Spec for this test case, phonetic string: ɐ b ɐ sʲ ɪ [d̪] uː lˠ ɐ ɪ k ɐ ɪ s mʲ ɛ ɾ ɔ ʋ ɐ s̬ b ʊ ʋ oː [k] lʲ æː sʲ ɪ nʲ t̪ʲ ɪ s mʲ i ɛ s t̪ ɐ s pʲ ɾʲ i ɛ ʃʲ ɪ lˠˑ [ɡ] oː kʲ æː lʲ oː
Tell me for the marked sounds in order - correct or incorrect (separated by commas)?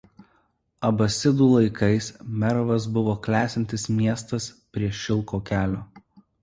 correct, correct, incorrect